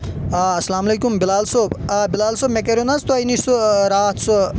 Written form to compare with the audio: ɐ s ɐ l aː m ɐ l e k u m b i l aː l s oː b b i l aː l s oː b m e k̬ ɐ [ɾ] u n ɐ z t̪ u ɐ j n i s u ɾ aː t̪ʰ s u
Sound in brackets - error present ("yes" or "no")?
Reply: no